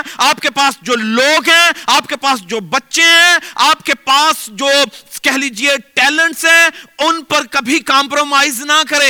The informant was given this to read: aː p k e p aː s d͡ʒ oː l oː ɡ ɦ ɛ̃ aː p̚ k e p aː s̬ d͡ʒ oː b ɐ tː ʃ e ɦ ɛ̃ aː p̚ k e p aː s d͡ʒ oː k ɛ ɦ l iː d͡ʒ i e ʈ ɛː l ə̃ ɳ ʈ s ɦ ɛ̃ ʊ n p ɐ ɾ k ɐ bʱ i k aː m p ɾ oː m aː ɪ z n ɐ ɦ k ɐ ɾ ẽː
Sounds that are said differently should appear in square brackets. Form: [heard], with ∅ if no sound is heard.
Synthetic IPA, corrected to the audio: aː p k e p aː s d͡ʒ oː l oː ɡ ɦ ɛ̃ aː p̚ k e p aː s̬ d͡ʒ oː b ɐ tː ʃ e ɦ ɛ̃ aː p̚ k e p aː s d͡ʒ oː k ɛ ɦ l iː d͡ʒ i e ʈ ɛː l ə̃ ɳ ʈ s ɦ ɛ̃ ʊ n p ɐ ɾ k ɐ bʱ i k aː m p ɾ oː m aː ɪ z n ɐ [∅] k ɐ ɾ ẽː